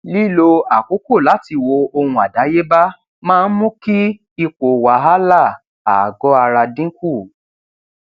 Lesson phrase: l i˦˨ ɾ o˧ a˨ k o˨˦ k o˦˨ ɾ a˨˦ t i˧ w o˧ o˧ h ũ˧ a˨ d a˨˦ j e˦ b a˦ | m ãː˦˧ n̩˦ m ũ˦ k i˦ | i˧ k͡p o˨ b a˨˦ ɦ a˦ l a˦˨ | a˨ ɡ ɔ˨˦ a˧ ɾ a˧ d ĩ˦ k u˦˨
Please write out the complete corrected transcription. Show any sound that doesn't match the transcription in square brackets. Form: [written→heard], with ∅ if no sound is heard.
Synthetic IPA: l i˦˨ [ɾ→l] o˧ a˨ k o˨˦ k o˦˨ [ɾ→l] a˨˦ t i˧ w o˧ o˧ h ũ˧ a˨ d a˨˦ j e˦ b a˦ | m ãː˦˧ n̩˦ m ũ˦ k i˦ | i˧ k͡p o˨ [b→w] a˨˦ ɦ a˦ l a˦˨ | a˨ ɡ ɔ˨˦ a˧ ɾ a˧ d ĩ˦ k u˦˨